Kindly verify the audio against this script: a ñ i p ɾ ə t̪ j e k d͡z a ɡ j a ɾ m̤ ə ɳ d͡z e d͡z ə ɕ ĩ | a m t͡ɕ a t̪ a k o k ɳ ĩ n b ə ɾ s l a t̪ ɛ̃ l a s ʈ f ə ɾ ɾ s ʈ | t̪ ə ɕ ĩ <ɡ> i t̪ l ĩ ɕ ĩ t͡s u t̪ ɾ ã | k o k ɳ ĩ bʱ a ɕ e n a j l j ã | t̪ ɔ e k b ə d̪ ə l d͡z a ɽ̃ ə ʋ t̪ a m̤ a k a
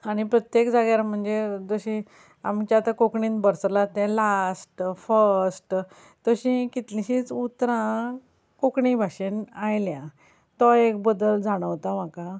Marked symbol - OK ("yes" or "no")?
no